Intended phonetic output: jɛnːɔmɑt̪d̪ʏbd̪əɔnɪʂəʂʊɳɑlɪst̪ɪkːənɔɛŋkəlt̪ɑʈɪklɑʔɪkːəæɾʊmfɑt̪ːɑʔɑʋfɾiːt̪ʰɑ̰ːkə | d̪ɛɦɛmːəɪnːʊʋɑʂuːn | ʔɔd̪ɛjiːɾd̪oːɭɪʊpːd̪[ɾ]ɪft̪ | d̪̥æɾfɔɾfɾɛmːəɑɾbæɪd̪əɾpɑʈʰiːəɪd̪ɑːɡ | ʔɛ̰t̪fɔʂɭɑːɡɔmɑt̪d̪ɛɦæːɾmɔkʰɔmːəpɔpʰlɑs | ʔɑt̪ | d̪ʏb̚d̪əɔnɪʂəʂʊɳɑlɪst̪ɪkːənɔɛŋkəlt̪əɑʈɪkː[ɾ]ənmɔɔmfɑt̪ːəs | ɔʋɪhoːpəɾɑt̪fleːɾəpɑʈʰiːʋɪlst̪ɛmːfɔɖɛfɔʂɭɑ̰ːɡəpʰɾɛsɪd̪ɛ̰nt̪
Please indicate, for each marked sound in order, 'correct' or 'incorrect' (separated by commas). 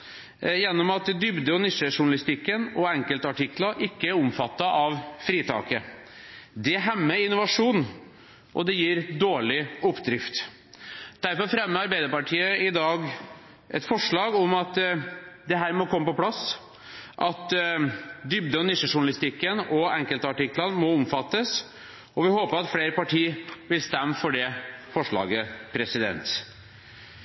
correct, incorrect